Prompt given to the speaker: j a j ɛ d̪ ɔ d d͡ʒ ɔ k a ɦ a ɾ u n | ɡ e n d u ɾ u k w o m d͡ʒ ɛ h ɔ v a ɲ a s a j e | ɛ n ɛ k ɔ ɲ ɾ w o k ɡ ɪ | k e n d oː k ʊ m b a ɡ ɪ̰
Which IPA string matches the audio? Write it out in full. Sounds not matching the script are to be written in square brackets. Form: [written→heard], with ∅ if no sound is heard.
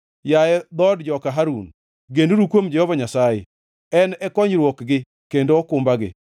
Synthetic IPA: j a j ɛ d̪ ɔ d d͡ʒ ɔ k a ɦ a ɾ u n | ɡ e n d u ɾ u k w o m d͡ʒ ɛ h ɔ v a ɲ a s a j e | ɛ n ɛ k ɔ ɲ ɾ w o k ɡ ɪ | k e n d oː k ʊ m b a ɡ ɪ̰